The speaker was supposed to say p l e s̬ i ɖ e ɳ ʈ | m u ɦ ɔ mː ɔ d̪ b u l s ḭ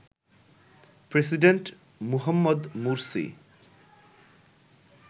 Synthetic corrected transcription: p ɾ e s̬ i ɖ e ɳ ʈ | m u ɦ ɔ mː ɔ d̪ m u ɾ s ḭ